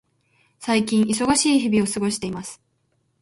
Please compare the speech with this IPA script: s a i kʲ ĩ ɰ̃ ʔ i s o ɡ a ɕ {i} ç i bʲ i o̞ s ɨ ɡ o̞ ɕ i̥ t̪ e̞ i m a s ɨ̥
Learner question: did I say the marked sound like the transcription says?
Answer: no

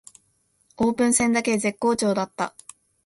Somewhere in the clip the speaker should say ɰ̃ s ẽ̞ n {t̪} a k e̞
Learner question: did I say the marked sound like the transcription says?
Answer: no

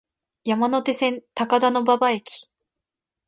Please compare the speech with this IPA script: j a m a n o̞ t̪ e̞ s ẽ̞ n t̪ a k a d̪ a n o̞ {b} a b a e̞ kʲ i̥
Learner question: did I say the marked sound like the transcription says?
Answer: yes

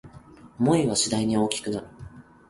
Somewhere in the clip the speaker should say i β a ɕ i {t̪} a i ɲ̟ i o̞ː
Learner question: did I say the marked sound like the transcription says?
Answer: no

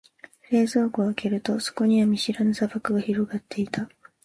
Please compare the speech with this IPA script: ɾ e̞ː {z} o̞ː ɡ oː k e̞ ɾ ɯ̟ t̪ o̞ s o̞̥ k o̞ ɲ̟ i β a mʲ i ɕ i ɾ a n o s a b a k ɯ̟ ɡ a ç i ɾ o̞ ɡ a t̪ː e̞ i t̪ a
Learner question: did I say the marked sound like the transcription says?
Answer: yes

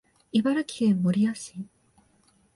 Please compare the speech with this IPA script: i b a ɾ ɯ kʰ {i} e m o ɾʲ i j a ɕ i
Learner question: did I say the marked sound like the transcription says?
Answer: yes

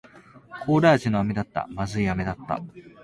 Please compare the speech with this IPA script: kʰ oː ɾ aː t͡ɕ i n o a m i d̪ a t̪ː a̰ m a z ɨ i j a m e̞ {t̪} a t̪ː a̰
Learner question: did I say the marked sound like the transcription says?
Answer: no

